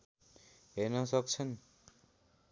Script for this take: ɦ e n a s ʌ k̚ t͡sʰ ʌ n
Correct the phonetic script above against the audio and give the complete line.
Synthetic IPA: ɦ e n ʌ s ʌ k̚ t͡sʰ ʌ n